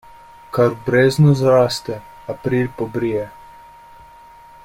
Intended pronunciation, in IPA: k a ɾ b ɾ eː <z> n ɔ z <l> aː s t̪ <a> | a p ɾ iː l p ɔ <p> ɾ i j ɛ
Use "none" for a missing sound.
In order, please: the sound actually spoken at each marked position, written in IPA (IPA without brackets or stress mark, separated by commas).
z, ɾ, ɛ, b